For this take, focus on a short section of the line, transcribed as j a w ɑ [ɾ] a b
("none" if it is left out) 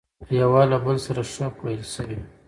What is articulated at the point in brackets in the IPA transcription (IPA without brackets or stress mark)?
l